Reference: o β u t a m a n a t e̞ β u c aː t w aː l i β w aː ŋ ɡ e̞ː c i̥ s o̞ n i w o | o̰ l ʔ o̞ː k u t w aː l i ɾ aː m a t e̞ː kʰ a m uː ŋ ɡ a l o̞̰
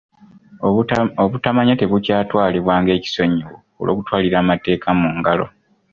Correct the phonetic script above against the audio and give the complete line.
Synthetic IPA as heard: o β u t a m a ɲ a t e̞ β u c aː t w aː l i β w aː ŋ ɡ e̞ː c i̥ s o̞ ɲ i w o | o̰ l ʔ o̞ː k u t w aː l i ɾ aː m a t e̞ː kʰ a m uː ŋ ɡ a l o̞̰

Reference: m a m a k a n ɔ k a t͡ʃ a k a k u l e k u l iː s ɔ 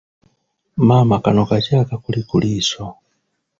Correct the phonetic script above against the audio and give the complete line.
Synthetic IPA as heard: m a m a k a n ɔ k a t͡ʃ a k a k u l i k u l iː s ɔ

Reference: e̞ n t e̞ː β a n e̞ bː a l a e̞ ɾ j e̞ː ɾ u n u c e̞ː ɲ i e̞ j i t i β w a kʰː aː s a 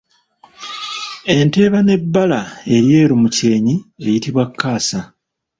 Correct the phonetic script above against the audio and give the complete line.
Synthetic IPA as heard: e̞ n t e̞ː β a n e̞ bː a l a e̞ ɾ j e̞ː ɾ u m u c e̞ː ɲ i e̞ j i t i β w a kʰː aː s a

